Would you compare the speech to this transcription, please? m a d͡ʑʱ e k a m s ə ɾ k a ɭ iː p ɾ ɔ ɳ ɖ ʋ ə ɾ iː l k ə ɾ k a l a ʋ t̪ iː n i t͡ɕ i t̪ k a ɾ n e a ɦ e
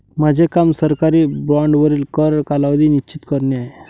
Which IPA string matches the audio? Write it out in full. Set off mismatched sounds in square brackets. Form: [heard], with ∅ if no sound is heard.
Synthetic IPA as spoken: m a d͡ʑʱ e k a m s ə ɾ k a [ɾ] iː [b] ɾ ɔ ɳ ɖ ʋ ə ɾ iː l k ə ɾ k a l a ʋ [d̪] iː n i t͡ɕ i t̪ k [ə] ɾ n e a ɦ e